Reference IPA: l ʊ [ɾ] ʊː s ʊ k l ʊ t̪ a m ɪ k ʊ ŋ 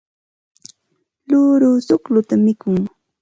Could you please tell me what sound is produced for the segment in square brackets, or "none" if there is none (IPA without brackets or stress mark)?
ɾ